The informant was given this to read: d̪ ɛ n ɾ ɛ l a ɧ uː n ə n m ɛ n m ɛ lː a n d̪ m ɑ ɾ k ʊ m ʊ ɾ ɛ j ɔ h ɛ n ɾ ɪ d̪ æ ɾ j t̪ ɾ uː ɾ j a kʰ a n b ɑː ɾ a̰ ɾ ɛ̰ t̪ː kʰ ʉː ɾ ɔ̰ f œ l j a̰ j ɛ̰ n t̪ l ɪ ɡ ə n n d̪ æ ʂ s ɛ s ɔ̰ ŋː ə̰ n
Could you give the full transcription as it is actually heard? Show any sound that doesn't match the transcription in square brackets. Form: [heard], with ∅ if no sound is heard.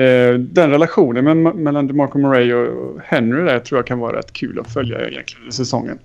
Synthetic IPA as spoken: d̪ ɛ n ɾ ɛ l a ɧ uː n ə n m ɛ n m ɛ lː a n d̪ m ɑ ɾ k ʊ m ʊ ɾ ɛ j ɔ h ɛ n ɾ ɪ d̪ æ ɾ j [t̪ʰ] ɾ uː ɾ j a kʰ a n [v] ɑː ɾ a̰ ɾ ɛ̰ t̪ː kʰ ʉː [l] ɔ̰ f œ l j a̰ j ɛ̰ n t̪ l ɪ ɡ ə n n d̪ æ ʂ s ɛ s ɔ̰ ŋː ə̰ n